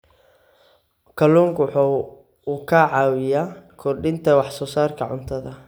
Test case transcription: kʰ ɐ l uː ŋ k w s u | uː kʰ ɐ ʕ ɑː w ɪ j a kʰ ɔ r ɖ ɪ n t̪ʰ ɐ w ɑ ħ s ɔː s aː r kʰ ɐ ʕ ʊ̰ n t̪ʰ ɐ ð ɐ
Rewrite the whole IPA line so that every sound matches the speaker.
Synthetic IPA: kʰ ɐ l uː ŋ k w ħ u | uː kʰ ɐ ʕ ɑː w ɪ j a kʰ ɔ r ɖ ɪ n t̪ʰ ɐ w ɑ ħ s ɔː s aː r kʰ ɐ ʕ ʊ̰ n t̪ʰ ɐ ð ɐ